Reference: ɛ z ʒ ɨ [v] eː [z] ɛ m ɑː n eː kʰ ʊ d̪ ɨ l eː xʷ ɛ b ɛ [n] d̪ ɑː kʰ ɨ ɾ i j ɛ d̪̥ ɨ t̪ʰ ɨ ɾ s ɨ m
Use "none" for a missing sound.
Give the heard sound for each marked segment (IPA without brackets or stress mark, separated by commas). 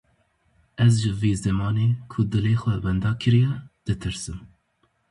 v, z, n